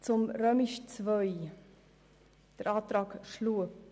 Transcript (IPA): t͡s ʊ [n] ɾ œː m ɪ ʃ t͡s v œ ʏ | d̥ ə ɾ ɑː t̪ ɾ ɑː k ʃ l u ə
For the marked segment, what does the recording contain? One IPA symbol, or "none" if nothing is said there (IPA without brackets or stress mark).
m